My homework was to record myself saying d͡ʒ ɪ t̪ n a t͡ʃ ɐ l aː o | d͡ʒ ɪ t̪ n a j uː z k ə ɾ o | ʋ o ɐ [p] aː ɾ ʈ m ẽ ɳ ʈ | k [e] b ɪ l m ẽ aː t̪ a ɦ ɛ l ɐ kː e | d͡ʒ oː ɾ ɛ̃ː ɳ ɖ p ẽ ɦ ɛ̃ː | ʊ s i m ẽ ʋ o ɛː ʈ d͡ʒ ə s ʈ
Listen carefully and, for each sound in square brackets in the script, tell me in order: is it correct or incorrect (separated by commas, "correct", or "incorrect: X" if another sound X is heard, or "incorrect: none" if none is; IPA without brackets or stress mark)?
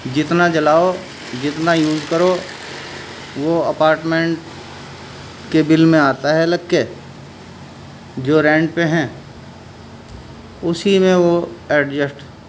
correct, correct